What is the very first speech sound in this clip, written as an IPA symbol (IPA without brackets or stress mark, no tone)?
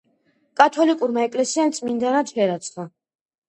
kʼ